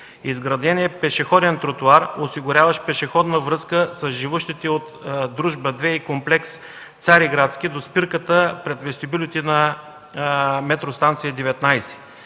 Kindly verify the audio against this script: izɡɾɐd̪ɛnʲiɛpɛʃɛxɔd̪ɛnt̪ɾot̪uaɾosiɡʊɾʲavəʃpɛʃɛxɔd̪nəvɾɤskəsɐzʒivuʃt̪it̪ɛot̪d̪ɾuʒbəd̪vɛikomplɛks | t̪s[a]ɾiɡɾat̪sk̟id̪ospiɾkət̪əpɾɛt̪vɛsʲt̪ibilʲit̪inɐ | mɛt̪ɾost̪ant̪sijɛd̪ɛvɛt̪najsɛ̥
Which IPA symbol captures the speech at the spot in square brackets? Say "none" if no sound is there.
a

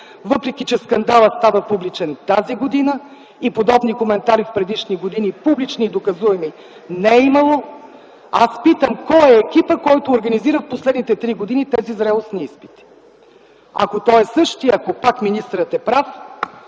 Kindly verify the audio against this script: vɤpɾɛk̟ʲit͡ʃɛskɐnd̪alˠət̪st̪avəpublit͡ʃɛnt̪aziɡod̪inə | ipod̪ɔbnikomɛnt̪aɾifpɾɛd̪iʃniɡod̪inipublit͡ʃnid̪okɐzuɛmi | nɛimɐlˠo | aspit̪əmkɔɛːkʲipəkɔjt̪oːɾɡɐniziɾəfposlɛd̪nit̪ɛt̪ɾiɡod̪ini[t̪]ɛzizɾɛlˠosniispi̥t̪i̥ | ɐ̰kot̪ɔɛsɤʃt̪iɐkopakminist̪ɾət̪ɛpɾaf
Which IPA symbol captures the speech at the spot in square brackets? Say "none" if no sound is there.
t̪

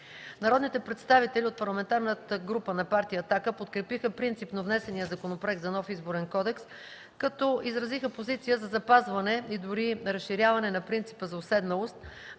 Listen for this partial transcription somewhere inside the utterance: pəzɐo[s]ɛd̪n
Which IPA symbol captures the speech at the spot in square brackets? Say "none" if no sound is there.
s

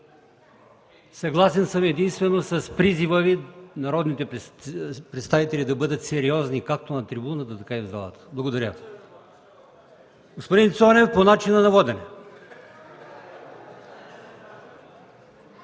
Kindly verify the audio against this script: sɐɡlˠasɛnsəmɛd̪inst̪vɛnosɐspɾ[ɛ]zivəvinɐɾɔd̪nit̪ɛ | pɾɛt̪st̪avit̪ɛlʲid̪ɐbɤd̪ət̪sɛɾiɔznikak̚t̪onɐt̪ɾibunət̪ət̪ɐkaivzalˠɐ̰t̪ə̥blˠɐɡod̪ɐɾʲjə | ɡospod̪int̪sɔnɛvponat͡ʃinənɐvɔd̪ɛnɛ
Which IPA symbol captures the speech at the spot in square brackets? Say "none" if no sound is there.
i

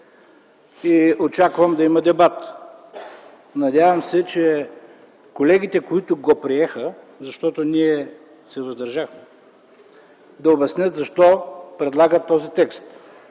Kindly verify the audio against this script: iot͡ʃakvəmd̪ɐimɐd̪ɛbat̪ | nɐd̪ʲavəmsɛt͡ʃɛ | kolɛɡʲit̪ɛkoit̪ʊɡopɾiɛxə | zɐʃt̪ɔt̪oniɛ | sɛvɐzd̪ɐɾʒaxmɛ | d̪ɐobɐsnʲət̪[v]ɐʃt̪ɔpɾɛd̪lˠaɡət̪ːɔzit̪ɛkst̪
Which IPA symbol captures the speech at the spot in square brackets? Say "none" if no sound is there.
z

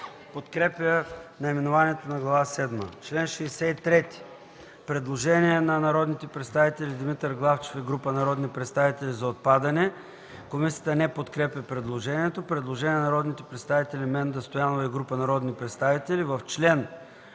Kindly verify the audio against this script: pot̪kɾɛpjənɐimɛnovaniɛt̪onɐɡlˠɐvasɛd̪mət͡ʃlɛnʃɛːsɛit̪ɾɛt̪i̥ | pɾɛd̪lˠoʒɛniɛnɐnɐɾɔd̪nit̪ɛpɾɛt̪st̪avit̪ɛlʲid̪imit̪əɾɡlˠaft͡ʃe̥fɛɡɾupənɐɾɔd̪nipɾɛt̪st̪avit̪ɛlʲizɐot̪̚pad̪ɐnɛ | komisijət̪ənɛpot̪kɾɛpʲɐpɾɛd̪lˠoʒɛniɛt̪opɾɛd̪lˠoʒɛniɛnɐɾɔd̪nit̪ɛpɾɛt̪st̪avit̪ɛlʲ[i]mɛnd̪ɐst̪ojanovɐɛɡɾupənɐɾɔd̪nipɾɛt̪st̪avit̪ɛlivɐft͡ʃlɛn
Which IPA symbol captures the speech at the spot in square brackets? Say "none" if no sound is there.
i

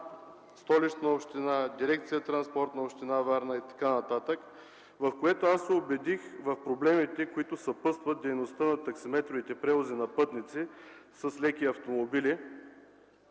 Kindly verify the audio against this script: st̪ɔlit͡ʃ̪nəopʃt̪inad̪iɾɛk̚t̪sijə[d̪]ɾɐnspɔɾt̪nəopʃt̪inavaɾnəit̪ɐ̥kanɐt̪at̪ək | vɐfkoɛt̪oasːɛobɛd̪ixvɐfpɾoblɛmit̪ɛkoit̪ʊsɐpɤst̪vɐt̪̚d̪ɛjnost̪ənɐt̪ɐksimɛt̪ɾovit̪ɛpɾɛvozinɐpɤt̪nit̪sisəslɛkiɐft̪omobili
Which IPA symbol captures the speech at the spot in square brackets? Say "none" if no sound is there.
t̪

